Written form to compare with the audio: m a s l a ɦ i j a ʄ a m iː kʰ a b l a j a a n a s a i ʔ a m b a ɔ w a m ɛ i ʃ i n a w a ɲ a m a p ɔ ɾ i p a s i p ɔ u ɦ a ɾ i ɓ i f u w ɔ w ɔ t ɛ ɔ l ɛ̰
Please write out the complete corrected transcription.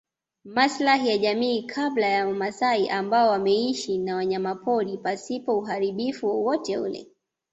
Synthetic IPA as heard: m a s l a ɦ i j a ʄ a m iː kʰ a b l a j a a m a s a i ʔ a m b a ɔ w a m ɛ i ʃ i n a w a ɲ a m a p ɔ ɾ i p a s i p ɔ u ɦ a ɾ i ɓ i f u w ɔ w ɔ t ɛ u l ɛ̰